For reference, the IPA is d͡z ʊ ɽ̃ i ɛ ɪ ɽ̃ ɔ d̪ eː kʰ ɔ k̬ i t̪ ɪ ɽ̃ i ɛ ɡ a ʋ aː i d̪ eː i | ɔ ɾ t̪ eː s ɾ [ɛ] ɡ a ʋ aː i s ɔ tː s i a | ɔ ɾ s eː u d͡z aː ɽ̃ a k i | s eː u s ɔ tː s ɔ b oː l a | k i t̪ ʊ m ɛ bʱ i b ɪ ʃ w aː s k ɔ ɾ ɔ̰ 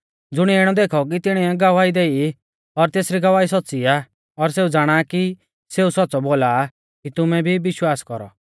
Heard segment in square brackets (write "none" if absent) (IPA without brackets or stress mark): i